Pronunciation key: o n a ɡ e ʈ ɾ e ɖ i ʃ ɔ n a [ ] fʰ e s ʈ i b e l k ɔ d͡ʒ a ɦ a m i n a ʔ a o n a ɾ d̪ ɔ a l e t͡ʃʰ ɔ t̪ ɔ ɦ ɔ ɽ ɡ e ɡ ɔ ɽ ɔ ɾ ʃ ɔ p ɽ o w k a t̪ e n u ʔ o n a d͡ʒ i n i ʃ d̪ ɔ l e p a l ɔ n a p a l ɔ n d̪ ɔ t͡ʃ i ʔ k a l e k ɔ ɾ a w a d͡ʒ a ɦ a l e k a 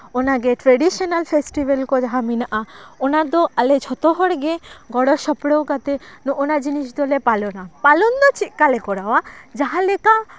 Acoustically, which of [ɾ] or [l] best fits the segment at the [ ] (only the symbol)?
l